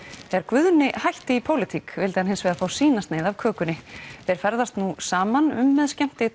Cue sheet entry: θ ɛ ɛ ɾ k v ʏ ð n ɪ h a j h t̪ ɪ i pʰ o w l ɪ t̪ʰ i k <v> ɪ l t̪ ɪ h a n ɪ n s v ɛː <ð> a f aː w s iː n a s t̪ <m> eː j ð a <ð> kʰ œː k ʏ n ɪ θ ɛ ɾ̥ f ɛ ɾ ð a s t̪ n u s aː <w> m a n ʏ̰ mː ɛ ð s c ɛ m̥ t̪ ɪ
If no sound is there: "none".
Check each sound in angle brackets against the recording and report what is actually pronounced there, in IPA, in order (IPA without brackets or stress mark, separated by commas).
v, ð, n, v, none